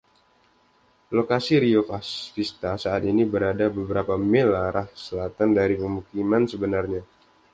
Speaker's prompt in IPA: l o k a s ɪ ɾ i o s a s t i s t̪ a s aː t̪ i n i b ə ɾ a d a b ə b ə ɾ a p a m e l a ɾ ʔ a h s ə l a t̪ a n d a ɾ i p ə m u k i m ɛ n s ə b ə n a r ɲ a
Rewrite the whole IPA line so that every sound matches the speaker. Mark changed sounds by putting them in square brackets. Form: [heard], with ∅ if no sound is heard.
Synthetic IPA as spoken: l o k a s [i] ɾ i o [f] a s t i s t̪ a s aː t̪ i n i b ə ɾ a d a b ə b ə ɾ a p a m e l a ɾ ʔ a h s ə l a t̪ a n d a ɾ i p ə m u k i m [a] n s ə b ə n a r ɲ a

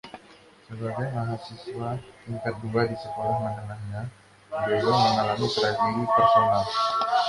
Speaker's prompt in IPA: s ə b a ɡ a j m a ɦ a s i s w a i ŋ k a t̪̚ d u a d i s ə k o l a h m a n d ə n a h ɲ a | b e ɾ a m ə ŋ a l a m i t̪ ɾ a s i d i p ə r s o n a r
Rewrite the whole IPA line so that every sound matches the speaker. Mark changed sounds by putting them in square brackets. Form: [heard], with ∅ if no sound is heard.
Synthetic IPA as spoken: s ə b a ɡ a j m a ɦ a s i s w a i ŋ k a t̪̚ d u a d i s ə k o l a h m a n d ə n a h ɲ a | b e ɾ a m ə ŋ a l a m i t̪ ɾ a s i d i p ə r s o n a [l]

